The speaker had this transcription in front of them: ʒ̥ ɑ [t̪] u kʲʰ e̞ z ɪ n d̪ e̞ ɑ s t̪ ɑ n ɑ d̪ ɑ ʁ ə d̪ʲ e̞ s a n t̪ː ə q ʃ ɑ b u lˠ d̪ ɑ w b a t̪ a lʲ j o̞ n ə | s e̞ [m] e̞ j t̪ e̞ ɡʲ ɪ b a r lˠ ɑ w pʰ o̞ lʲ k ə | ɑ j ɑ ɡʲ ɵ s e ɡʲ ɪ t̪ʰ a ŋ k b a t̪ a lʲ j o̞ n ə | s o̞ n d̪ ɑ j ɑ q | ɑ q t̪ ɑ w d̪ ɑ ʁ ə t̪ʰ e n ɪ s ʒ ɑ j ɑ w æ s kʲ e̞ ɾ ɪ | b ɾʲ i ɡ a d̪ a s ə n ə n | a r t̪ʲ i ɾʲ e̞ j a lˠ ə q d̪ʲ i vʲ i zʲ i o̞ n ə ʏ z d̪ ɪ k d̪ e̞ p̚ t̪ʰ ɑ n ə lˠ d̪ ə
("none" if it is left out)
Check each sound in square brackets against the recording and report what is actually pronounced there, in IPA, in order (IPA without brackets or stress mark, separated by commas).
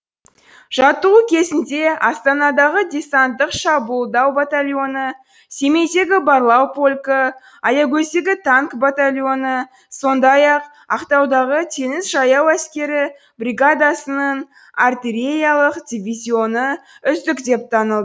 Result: t̪, m